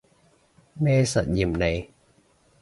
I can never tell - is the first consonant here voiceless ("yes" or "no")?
no